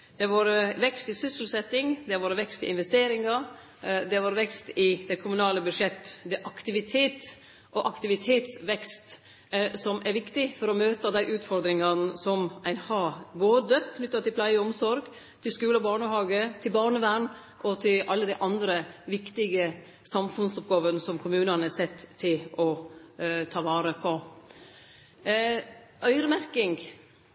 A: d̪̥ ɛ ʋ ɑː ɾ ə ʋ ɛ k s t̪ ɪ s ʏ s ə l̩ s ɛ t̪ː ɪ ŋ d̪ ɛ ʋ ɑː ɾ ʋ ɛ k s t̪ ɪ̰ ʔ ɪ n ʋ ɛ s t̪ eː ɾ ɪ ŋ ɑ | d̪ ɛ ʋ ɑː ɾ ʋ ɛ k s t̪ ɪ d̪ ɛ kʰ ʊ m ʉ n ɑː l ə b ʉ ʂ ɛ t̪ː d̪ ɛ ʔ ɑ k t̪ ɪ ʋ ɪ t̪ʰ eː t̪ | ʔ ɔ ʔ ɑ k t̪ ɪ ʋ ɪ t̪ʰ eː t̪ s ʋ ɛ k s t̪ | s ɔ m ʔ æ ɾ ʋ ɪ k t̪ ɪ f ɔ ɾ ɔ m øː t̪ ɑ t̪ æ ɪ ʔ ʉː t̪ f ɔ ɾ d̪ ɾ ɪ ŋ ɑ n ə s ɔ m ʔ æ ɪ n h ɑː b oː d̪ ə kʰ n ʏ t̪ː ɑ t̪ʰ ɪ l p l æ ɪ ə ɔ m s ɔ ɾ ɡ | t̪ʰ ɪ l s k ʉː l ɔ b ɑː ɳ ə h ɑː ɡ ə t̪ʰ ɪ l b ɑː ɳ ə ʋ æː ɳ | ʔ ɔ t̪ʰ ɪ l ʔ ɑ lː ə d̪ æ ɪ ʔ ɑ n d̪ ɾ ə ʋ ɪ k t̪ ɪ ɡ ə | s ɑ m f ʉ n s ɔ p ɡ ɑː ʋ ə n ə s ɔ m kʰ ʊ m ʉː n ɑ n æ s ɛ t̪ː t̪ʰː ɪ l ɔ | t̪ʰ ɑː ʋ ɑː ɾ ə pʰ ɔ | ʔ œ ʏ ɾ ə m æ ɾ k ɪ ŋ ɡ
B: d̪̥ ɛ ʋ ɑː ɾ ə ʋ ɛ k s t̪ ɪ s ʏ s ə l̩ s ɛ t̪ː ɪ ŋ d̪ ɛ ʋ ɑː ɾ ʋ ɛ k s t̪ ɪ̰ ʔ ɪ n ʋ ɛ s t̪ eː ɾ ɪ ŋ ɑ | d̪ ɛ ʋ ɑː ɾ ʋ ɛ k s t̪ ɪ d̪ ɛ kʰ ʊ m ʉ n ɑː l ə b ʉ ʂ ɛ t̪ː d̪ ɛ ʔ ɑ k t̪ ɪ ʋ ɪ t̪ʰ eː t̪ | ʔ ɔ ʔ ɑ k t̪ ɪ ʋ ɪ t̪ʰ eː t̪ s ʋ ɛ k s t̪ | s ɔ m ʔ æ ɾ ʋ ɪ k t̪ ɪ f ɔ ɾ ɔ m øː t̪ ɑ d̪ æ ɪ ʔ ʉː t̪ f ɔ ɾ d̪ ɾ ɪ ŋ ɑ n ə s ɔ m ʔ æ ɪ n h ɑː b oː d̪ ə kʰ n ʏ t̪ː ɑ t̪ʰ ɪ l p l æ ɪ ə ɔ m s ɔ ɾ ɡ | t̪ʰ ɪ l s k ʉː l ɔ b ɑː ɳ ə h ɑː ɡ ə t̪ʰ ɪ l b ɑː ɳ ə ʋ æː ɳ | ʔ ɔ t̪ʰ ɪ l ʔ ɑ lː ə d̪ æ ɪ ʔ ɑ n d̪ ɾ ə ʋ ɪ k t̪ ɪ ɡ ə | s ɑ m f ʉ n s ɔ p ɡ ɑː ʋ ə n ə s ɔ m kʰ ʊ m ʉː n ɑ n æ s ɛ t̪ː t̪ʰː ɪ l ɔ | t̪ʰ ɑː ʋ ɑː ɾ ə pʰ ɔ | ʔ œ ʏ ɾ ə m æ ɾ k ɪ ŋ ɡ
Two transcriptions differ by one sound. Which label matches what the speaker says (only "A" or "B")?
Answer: B